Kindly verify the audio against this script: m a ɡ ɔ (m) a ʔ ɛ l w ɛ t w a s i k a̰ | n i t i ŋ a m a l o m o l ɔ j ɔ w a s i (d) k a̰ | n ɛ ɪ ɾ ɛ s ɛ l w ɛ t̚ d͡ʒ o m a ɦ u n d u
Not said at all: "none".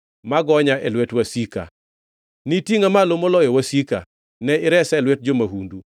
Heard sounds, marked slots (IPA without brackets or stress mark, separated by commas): ɲ, none